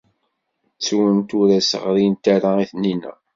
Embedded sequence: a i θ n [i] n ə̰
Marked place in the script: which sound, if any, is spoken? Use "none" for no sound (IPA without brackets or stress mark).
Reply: i